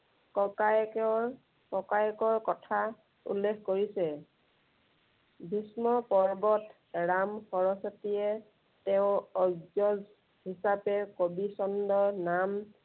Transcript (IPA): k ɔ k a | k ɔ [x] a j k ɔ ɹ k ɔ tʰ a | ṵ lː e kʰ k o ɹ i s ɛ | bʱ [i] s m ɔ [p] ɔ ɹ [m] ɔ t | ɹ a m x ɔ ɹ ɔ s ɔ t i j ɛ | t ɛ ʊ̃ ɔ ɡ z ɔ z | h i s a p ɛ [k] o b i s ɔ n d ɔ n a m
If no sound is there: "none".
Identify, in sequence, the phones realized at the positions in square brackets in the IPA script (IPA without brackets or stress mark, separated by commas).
k, i, p, b, k